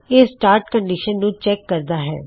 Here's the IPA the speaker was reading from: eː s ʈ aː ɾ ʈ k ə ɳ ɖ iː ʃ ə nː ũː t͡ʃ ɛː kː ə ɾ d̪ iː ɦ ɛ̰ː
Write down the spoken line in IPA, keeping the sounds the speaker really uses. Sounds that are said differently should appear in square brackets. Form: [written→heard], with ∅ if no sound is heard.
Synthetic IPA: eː s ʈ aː ɾ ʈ k ə ɳ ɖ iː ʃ ə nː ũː t͡ʃ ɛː kː ə ɾ d̪ [iː→aː] ɦ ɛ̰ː